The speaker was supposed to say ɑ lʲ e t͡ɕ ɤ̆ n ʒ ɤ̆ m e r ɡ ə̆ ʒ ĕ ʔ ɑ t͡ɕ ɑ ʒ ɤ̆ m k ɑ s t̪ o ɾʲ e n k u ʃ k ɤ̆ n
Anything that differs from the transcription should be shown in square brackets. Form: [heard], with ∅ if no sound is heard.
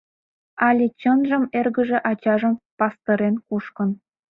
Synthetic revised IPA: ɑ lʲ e t͡ɕ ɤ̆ n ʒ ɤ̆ m e r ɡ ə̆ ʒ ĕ ʔ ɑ t͡ɕ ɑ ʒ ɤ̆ m [p] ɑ s t̪ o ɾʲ e n k u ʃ k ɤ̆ n